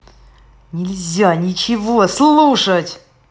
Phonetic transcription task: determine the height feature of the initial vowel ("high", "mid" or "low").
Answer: high